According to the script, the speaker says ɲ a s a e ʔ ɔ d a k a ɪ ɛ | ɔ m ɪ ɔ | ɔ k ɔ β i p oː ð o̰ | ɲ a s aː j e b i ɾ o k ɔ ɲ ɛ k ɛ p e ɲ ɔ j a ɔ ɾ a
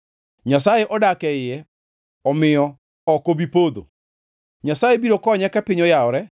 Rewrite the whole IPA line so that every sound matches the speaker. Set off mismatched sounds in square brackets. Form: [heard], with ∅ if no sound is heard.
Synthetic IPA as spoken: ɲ a s a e ʔ ɔ d a k [ɛ] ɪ ɛ | ɔ m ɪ ɔ | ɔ k [o] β i p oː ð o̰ | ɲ a s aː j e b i ɾ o k ɔ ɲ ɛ k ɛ p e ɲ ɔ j a ɔ ɾ [ɛ]